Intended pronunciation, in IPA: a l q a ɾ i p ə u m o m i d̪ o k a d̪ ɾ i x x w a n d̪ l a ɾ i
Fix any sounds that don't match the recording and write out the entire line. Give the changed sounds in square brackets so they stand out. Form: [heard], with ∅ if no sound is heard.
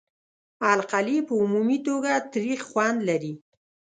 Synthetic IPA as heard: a l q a [l] i p ə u m [u] m i [t̪] o [ɡ] a [t̪] ɾ i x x w a n d̪ l a ɾ i

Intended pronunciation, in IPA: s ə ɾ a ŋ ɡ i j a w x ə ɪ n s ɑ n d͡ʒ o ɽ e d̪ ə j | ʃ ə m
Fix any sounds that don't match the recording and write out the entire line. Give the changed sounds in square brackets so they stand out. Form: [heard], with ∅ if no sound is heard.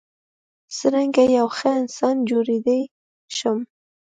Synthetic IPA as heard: s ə ɾ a ŋ ɡ [a] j a w x ə ɪ n s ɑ n d͡ʒ o [ɾ] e d̪ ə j | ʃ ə m

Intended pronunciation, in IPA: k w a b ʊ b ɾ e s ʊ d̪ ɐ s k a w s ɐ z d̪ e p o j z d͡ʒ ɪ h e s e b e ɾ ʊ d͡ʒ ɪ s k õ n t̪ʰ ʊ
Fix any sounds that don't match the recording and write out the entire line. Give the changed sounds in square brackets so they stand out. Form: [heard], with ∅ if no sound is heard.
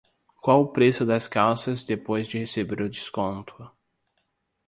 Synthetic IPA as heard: k w a [w] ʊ [p] ɾ e s ʊ d̪ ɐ s k a w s ɐ z d̪ e p o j z d͡ʒ ɪ h e s e b e ɾ ʊ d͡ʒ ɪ s k õ n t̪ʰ ʊ

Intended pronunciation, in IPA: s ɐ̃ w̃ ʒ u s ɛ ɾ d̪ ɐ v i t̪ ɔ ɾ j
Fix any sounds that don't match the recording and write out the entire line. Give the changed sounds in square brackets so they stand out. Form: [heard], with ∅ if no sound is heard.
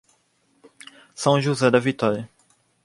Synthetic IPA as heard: s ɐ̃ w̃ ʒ u [z] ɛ [∅] d̪ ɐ v i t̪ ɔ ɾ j

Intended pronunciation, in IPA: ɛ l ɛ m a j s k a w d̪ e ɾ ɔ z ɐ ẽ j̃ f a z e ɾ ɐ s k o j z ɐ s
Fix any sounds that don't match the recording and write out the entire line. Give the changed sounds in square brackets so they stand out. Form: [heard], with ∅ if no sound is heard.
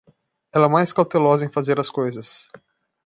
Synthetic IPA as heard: ɛ l ɛ m a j s k a w [t̪] e [l] ɔ z ɐ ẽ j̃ f a z e ɾ ɐ s k o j z ɐ s

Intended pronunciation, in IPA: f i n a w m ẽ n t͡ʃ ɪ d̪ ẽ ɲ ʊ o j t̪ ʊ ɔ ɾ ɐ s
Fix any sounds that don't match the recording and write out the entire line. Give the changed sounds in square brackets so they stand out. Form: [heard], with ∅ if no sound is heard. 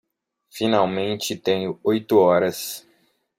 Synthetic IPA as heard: f i n a w m ẽ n t͡ʃ ɪ [t̪] ẽ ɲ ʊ o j t̪ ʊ ɔ ɾ ɐ s

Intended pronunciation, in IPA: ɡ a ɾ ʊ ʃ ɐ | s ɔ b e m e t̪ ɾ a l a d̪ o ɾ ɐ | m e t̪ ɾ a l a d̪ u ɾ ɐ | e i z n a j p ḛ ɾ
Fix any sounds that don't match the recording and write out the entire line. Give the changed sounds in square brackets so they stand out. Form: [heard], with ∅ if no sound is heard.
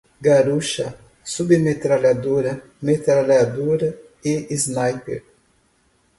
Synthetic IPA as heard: ɡ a ɾ [u] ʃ ɐ | s [u] b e m e t̪ ɾ a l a d̪ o ɾ ɐ | m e t̪ ɾ a l a d̪ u ɾ ɐ | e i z n a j p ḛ ɾ

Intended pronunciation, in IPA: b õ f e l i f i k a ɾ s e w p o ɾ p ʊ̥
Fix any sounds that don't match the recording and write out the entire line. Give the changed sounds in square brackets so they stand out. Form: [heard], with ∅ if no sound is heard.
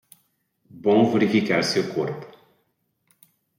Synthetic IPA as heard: b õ [v] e [ɾ] i f i k a ɾ s e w [k] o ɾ p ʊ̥

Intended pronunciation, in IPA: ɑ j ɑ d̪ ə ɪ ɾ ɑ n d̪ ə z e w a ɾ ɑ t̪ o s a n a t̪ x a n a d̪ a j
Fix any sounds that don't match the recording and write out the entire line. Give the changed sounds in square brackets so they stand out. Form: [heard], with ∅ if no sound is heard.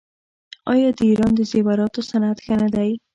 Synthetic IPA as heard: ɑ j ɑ d̪ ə [i] ɾ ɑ n d̪ ə z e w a ɾ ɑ t̪ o s a n a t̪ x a n a d̪ a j

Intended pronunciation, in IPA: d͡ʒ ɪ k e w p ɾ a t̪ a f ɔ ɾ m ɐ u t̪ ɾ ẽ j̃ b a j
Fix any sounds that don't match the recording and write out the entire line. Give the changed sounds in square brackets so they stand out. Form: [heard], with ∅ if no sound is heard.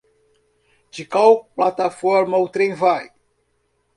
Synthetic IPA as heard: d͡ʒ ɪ k [a] w p [l] a t̪ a f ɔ ɾ m ɐ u t̪ ɾ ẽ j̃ [v] a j

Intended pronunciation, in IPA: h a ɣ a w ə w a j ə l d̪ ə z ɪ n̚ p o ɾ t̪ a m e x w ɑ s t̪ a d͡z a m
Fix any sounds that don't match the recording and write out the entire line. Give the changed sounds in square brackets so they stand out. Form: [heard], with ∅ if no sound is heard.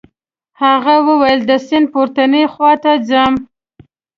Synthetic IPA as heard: h a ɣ a w ə w a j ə l d̪ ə [s] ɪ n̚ p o ɾ t̪ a [n] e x w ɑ [∅] t̪ a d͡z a m

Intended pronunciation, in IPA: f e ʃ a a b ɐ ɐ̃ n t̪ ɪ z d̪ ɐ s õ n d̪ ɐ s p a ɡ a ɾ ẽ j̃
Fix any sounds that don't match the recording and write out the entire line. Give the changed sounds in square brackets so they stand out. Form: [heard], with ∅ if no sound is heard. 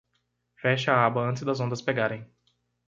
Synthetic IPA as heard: f [ɛ] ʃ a a b ɐ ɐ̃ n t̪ ɪ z d̪ ɐ [z] õ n d̪ ɐ s p [e] ɡ a ɾ ẽ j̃

